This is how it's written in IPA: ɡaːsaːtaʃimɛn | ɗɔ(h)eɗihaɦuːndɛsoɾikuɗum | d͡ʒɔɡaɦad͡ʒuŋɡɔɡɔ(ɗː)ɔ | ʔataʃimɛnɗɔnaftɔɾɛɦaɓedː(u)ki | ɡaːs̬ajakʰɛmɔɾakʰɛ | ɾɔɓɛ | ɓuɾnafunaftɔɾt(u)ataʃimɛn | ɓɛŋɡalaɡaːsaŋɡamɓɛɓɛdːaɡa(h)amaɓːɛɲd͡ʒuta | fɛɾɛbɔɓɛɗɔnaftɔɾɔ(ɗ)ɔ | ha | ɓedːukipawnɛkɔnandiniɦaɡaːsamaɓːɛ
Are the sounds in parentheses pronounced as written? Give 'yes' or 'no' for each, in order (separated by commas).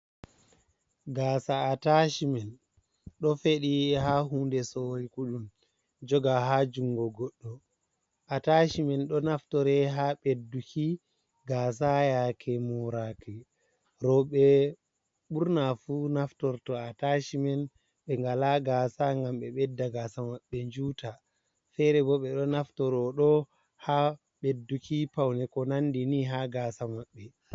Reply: no, yes, yes, no, no, yes